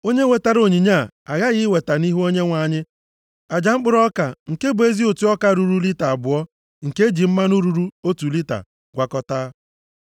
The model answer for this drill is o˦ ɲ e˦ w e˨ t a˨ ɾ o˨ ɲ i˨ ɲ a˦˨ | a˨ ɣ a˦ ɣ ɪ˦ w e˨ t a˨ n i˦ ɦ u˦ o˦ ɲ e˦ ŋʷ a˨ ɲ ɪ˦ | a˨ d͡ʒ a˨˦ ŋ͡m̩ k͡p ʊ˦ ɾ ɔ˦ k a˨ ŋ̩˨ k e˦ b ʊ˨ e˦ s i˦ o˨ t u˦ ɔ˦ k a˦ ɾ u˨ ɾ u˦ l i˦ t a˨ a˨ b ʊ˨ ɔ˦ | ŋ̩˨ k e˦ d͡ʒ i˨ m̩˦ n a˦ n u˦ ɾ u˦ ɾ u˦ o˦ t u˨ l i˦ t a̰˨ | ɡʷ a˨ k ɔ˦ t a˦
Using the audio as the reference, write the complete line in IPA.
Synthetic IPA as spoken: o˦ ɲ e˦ w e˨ t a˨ ɾ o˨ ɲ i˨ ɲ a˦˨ | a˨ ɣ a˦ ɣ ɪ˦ w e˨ t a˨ n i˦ ɦ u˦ o˦ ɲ e˦ ŋʷ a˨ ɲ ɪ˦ | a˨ d͡ʒ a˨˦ ŋ͡m̩ k͡p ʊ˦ ɾ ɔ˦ k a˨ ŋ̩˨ k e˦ b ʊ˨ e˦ z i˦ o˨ t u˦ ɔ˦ k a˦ ɾ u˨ ɾ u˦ l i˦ t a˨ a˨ b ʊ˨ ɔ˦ | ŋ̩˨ k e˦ d͡ʒ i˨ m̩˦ m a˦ n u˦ ɾ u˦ ɾ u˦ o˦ t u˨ l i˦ t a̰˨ | ɡʷ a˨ k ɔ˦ t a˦